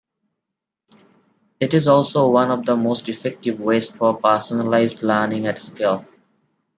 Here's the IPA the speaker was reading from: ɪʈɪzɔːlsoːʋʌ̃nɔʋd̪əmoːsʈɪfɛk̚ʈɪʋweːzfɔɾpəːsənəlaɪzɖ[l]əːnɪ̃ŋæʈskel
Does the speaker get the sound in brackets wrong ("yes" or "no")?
no